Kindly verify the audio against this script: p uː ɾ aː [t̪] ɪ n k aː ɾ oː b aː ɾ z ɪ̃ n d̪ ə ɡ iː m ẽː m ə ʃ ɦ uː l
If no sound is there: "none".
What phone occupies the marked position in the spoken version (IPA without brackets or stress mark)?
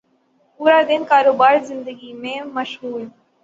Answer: d̪